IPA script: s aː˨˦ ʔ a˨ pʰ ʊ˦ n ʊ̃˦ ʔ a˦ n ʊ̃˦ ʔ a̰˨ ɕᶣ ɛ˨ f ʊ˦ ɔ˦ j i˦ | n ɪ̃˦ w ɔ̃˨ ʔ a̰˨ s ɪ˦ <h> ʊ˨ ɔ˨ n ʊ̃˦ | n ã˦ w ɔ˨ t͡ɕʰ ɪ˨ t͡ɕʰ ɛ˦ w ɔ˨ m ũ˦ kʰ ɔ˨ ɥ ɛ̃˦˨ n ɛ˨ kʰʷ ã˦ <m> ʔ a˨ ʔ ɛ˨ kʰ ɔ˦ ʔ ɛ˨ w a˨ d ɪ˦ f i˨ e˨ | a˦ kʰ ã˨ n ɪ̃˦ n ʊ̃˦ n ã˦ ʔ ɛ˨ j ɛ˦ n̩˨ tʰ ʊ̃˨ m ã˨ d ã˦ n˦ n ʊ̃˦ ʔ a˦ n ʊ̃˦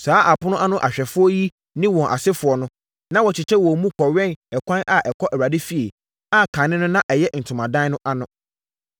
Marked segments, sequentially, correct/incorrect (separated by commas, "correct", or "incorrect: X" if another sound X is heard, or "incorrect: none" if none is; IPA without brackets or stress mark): incorrect: f, incorrect: n